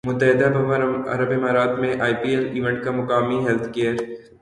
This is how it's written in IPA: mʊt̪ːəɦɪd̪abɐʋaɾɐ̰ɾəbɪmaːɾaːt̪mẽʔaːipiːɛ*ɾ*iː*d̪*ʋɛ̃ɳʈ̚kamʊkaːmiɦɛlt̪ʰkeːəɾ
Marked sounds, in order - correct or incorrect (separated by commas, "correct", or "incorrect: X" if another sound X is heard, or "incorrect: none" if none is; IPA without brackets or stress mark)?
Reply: incorrect: l, incorrect: none